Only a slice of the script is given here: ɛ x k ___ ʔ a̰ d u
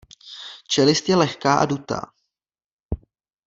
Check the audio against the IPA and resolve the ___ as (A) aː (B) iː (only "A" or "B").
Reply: A